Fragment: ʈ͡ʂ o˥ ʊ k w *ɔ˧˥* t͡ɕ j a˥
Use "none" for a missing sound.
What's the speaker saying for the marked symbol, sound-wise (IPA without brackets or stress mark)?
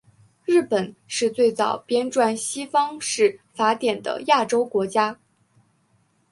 ɔ˧˥